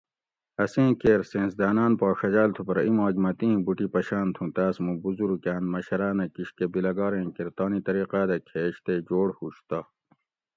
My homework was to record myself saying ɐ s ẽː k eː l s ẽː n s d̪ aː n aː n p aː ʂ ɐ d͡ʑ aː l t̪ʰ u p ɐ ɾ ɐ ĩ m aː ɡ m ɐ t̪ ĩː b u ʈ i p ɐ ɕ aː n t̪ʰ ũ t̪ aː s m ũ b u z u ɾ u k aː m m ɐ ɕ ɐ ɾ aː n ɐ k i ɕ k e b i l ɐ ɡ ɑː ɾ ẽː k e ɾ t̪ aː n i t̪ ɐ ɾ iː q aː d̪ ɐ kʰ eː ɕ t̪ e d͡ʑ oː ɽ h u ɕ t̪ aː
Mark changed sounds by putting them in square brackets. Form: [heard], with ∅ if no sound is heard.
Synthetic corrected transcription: ɐ s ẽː k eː [ɾ] s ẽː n s d̪ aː n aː n p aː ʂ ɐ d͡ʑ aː l t̪ʰ u p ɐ ɾ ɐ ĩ m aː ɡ m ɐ t̪ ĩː b u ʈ i p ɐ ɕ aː n t̪ʰ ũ t̪ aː s m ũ b u z u ɾ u k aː [n] m ɐ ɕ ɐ ɾ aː n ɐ k i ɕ k e b i l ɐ ɡ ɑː ɾ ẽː k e ɾ t̪ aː n i t̪ ɐ ɾ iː q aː d̪ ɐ kʰ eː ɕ t̪ e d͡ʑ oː ɽ h u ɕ t̪ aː